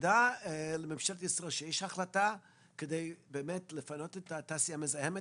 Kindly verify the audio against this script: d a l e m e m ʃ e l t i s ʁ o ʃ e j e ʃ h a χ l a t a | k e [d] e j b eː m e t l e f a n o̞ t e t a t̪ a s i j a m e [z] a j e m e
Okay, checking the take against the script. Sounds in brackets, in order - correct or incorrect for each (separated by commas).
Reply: correct, correct